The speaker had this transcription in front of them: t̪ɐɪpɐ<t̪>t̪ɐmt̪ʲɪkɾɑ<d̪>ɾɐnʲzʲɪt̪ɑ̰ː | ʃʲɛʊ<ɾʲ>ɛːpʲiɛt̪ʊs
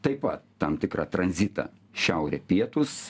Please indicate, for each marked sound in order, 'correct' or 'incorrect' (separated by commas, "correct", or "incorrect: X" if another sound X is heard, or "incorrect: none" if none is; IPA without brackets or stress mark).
correct, incorrect: t̪, correct